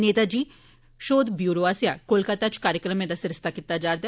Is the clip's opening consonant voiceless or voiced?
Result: voiced